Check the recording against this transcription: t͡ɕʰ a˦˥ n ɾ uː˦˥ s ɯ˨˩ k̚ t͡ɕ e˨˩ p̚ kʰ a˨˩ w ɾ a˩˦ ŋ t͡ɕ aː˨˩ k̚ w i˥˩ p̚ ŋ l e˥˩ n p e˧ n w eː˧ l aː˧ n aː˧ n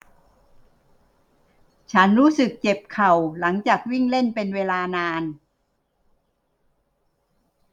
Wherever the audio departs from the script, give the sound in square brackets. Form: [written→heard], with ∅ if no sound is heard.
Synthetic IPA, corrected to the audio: t͡ɕʰ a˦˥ n ɾ uː˦˥ s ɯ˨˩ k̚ t͡ɕ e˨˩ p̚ kʰ a˨˩ w [ɾ→l] a˩˦ ŋ t͡ɕ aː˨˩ k̚ w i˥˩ [p̚→∅] ŋ l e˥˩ n p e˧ n w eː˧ l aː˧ n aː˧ n

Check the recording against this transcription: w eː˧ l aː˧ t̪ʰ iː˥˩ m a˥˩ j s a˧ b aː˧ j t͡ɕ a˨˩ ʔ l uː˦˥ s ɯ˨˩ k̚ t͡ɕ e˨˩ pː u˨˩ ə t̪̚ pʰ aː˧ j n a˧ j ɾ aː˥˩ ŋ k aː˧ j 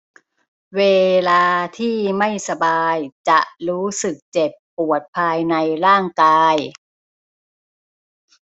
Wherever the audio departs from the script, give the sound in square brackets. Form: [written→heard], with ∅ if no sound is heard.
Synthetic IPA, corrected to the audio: w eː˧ l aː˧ t̪ʰ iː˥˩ m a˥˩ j s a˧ b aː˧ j t͡ɕ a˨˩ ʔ [l→ɾ] uː˦˥ s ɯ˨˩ k̚ t͡ɕ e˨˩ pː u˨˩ ə t̪̚ pʰ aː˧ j n a˧ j ɾ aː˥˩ ŋ k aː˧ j

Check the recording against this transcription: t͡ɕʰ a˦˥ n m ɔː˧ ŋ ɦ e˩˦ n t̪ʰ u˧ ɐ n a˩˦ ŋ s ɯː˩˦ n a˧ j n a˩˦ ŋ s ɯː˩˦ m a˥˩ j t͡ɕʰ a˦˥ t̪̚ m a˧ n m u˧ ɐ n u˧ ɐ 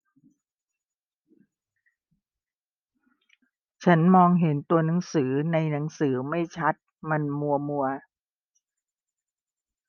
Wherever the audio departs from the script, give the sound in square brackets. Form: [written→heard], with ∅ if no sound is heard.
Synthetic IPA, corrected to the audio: t͡ɕʰ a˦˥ n m ɔː˧ ŋ ɦ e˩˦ n [t̪ʰ→t̪] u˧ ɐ n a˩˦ ŋ s ɯː˩˦ n a˧ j n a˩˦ ŋ s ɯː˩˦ m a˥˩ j t͡ɕʰ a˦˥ t̪̚ m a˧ n m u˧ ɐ [n→m] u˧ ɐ

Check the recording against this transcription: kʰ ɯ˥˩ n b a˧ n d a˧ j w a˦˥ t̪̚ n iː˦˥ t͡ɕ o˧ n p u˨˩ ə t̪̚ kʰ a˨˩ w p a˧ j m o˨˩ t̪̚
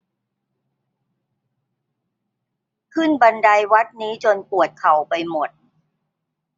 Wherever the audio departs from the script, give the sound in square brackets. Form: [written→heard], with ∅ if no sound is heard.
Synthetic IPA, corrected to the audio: kʰ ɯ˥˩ n b a˧ n d a˧ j w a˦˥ t̪̚ n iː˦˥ t͡ɕ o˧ n p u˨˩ ə t̪̚ kʰ a˨˩ w p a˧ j m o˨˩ t̪̚

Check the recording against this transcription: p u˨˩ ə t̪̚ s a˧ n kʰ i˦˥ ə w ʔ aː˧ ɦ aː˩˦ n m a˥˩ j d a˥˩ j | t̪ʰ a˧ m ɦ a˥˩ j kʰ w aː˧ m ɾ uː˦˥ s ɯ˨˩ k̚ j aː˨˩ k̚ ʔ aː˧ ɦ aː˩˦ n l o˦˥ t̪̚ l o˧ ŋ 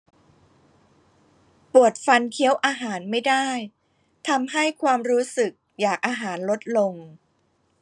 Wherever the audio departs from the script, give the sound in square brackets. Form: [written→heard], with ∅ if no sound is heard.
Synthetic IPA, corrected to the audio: p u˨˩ ə t̪̚ [s→f] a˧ n kʰ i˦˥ ə w ʔ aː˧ ɦ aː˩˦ n m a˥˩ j d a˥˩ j | t̪ʰ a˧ m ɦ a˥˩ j kʰ w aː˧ m ɾ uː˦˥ s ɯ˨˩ k̚ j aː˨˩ k̚ ʔ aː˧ ɦ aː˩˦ n l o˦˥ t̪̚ l o˧ ŋ

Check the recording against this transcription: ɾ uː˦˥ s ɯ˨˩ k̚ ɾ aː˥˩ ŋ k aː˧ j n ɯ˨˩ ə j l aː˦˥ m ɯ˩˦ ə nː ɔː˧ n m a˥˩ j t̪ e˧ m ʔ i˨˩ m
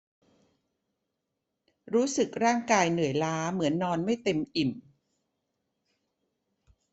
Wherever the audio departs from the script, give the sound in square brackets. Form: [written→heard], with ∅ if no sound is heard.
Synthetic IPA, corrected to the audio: ɾ uː˦˥ s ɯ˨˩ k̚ ɾ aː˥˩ ŋ k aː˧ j n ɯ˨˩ ə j l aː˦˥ m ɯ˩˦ ə nː ɔː˧ n m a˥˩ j t̪ e˧ m ʔ i˨˩ m

